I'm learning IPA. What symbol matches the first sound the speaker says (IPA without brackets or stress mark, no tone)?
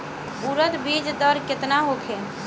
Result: b